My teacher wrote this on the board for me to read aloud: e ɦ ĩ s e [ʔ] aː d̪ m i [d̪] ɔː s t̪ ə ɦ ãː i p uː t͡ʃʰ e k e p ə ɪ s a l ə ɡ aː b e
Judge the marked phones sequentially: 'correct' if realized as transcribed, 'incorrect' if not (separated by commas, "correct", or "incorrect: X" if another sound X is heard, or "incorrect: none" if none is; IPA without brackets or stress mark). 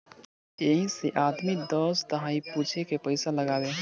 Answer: correct, correct